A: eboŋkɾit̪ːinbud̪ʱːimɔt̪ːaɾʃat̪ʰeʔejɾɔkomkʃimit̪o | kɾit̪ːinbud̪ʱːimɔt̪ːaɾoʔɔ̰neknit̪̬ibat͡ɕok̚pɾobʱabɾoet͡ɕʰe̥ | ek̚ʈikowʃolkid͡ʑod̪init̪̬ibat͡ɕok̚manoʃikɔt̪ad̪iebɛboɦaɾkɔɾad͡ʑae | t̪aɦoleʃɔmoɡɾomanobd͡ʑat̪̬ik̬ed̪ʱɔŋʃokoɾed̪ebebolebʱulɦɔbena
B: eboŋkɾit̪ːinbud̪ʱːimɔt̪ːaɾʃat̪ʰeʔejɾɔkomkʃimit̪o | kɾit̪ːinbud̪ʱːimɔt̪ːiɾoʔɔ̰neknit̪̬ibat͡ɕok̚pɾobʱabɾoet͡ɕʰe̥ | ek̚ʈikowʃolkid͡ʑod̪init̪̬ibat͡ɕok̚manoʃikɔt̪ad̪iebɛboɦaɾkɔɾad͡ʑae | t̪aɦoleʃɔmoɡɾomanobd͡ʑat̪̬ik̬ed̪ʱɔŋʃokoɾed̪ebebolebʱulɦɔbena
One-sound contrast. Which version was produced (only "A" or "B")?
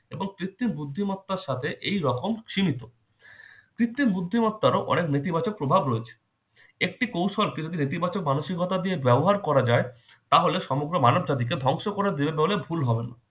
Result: A